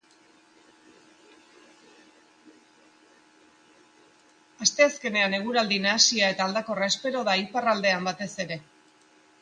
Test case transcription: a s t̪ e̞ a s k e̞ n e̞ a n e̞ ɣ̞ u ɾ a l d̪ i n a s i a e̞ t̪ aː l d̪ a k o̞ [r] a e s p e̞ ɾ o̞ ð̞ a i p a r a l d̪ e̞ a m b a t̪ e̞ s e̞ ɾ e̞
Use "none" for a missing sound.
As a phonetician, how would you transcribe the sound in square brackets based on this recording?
r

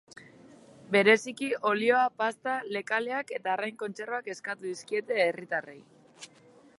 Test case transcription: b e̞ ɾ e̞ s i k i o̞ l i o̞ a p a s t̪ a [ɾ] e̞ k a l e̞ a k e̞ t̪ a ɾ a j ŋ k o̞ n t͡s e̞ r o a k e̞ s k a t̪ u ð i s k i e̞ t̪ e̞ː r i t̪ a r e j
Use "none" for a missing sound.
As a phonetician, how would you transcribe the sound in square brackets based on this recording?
l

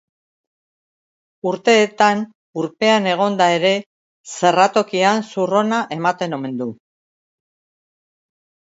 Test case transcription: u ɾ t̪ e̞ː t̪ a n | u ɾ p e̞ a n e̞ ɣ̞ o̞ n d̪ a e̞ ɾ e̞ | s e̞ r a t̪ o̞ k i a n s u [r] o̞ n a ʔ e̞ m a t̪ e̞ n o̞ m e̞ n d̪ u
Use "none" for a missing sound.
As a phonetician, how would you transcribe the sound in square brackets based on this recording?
r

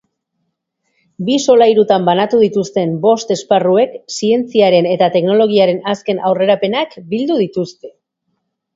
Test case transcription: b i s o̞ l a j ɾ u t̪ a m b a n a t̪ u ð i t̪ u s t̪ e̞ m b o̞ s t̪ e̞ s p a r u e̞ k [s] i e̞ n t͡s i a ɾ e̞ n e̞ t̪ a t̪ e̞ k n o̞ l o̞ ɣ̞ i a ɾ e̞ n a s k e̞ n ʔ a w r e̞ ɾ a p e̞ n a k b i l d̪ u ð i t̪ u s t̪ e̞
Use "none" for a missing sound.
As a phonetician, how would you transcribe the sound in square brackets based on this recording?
s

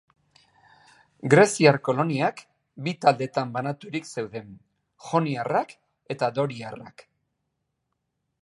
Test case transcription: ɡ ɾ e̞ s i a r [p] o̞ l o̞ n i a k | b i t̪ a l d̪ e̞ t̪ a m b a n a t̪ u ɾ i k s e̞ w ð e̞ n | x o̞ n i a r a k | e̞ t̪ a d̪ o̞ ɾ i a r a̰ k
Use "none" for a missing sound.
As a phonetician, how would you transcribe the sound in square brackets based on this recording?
k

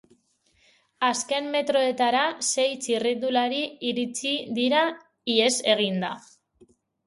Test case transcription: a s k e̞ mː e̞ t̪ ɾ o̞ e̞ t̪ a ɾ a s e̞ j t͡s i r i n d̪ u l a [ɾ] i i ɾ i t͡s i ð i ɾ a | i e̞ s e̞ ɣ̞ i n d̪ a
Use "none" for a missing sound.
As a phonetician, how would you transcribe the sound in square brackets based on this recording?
ɾ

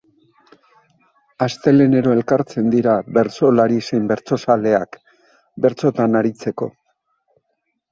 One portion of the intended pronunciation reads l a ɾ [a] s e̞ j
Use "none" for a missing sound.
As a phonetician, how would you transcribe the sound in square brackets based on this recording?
i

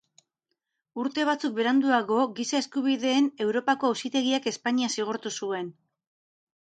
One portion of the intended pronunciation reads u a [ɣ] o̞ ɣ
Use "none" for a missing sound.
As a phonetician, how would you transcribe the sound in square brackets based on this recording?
ɣ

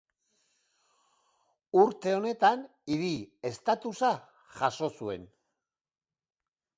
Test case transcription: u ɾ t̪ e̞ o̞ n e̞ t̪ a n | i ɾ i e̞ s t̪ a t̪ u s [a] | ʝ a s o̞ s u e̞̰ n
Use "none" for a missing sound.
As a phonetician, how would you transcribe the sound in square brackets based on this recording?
a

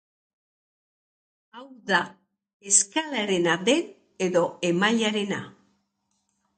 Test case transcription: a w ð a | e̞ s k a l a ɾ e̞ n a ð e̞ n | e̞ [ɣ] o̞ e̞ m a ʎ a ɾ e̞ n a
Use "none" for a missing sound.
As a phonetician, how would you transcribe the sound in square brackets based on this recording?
ð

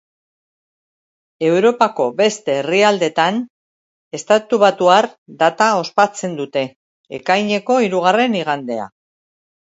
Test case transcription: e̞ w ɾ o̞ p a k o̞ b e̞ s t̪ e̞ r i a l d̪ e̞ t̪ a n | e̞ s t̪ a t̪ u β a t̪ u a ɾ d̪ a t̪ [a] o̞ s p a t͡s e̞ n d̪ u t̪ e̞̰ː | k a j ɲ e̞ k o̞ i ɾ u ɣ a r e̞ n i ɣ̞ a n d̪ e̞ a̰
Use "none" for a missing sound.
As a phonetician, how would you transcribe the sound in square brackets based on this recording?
a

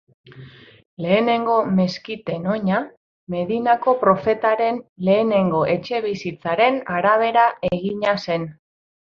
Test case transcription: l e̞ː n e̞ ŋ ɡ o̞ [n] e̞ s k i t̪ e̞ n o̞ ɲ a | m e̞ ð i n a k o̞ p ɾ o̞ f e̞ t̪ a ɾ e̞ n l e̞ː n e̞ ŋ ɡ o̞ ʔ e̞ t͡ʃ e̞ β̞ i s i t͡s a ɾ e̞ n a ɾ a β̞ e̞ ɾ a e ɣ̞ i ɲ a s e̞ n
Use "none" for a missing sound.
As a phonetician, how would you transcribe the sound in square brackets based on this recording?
m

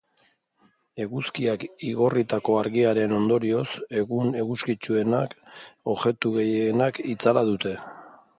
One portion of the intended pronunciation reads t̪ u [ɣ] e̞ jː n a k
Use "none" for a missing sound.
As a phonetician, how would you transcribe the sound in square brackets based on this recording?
ɣ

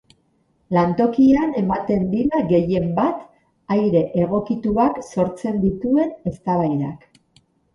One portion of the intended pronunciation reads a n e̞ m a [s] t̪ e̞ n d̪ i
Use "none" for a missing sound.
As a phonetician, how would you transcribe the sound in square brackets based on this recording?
none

